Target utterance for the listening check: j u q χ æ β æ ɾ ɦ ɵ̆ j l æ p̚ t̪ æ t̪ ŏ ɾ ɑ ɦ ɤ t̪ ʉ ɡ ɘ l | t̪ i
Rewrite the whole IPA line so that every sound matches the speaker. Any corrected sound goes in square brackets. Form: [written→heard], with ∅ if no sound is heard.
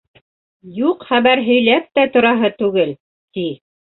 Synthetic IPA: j u q χ æ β æ ɾ ɦ ɵ̆ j l æ p̚ t̪ æ t̪ ŏ ɾ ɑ ɦ ɤ t̪ ʉ ɡ ɘ l | t̪ i

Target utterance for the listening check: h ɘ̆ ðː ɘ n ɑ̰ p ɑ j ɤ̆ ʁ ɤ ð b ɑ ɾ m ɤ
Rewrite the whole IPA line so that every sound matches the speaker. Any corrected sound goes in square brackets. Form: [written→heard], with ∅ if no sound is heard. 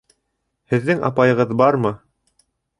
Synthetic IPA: h ɘ̆ ðː ɘ [n→ŋ] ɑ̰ p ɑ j ɤ̆ ʁ ɤ ð b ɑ ɾ m ɤ

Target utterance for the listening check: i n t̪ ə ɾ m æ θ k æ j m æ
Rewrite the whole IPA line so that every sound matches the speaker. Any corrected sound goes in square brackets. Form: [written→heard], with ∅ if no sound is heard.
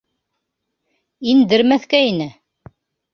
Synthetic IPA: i n [t̪→d̪] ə ɾ m æ θ k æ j [m→n] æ

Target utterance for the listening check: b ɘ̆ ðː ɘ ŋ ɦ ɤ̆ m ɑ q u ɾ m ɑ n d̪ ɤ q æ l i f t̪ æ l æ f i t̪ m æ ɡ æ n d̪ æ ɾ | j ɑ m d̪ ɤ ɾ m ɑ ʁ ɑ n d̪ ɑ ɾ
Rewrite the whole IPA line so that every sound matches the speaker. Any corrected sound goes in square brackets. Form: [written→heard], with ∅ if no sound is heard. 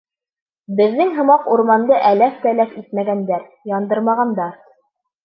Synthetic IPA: b ɘ̆ ðː ɘ ŋ ɦ ɤ̆ m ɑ q u ɾ m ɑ n d̪ ɤ [q→ʔ] æ l [i→æ] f t̪ æ l æ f i t̪ m æ ɡ æ n d̪ æ ɾ | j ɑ [m→n] d̪ ɤ ɾ m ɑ ʁ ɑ n d̪ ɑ ɾ

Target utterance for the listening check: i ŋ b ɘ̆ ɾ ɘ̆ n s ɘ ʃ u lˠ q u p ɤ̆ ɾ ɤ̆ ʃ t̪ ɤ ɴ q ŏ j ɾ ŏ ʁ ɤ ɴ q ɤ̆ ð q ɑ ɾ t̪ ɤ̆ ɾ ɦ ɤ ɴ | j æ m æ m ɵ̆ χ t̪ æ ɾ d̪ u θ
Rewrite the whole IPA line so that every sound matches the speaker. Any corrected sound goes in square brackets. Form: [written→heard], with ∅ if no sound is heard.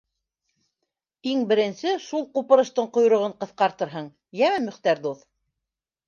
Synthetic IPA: i ŋ b ɘ̆ ɾ ɘ̆ n s ɘ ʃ u lˠ q u p ɤ̆ ɾ ɤ̆ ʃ t̪ ɤ ɴ q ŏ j ɾ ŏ ʁ ɤ ɴ q ɤ̆ [ð→θ] q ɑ ɾ t̪ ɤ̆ ɾ ɦ ɤ ɴ | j æ m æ m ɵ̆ χ t̪ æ ɾ d̪ u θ

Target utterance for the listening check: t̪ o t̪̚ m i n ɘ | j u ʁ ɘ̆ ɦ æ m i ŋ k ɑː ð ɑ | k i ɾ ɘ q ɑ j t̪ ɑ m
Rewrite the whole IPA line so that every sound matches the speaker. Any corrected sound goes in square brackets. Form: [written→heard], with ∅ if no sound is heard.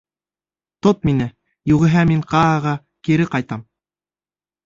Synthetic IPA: t̪ o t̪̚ m i n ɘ | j u ʁ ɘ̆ ɦ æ m i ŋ [k→q] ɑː [ð→ʁ] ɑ | k i ɾ ɘ q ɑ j t̪ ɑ m

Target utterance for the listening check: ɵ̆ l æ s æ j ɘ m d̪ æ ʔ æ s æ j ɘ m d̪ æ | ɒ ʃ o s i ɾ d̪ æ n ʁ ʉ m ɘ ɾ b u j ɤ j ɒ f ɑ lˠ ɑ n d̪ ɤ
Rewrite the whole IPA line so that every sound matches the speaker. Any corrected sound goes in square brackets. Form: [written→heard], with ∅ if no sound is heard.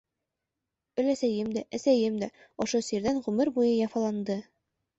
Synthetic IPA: ɵ̆ l æ s æ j ɘ m d̪ æ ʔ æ s æ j ɘ m d̪ æ | ɒ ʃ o s i ɾ d̪ æ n ʁ ʉ m ɘ ɾ b u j ɤ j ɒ f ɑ lˠ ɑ n d̪ ɤ

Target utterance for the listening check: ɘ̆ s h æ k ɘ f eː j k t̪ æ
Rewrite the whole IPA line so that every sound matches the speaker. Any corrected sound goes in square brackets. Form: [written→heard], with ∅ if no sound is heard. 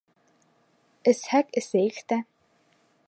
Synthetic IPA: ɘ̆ s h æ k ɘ [f→s] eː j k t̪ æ

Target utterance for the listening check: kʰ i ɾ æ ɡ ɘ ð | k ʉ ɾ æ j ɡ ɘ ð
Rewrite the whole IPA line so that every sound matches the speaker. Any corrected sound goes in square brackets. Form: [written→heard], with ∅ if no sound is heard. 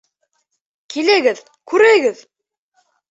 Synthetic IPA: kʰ i [ɾ→l] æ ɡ ɘ ð | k ʉ ɾ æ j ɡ ɘ ð

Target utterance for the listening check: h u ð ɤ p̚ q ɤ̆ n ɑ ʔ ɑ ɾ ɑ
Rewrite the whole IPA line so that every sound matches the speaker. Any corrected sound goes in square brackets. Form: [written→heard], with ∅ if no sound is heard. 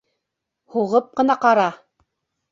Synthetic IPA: h u [ð→ʁ] ɤ p̚ q ɤ̆ n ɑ [ʔ→q] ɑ ɾ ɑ

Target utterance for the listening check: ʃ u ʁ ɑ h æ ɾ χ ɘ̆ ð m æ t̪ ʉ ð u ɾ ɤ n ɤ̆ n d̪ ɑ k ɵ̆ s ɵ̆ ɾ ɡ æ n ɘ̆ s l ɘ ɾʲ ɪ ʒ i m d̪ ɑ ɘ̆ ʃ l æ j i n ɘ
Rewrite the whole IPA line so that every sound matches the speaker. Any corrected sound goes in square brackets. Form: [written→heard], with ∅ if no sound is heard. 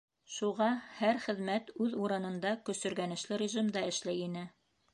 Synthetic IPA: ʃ u ʁ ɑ h æ ɾ χ ɘ̆ ð m æ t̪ ʉ ð u ɾ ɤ n ɤ̆ n d̪ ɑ k ɵ̆ s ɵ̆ ɾ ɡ æ n ɘ̆ [s→ʃ] l ɘ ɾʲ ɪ ʒ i m d̪ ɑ ɘ̆ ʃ l æ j i n ɘ

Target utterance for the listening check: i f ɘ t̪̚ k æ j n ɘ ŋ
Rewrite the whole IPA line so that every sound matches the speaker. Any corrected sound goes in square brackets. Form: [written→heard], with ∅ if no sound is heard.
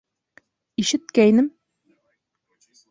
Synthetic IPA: i [f→ʃ] ɘ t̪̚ k æ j n ɘ [ŋ→m]

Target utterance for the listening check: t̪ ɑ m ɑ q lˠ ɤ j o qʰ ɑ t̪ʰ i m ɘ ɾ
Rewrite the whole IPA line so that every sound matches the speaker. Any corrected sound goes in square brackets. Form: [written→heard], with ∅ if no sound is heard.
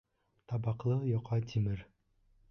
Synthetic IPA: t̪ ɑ [m→b] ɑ q lˠ ɤ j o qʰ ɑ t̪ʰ i m ɘ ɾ

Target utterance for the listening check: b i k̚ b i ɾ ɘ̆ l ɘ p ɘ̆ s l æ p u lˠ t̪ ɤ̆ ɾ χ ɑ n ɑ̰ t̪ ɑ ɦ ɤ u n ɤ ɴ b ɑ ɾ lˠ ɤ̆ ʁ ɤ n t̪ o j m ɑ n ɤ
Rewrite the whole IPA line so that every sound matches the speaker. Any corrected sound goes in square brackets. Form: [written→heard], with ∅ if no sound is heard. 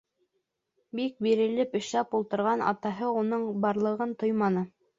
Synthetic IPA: b i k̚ b i ɾ ɘ̆ l ɘ p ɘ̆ [s→ʃ] l æ p u lˠ t̪ ɤ̆ ɾ [χ→ʁ] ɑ n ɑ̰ t̪ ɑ ɦ ɤ u n ɤ ɴ b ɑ ɾ lˠ ɤ̆ ʁ ɤ n t̪ o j m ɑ n ɤ

